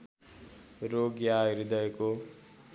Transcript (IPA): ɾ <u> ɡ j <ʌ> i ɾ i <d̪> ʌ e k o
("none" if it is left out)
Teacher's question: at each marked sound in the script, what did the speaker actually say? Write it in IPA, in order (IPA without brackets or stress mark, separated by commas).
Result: o, a, d̪